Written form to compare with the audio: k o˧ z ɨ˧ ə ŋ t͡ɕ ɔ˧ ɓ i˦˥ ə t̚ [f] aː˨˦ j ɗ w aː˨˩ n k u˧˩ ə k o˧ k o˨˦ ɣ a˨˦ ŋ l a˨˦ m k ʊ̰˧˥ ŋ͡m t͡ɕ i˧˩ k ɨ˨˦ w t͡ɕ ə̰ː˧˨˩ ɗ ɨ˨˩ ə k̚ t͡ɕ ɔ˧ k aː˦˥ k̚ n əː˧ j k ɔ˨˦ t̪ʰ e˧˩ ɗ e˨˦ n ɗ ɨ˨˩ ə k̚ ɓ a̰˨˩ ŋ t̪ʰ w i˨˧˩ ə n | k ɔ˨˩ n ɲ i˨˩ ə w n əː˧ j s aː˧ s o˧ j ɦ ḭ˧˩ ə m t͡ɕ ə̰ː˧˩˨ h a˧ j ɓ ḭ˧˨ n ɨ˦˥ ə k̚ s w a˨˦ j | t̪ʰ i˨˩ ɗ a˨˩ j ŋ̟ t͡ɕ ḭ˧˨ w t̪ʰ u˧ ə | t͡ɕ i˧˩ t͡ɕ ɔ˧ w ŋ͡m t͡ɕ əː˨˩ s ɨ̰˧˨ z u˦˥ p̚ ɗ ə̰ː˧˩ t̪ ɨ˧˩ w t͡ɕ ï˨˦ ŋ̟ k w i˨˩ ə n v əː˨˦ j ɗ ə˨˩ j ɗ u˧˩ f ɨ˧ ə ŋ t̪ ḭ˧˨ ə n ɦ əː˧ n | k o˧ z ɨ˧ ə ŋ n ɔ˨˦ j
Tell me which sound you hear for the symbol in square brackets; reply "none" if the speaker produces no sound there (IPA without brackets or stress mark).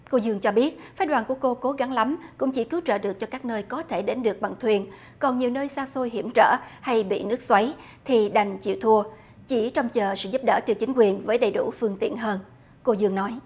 f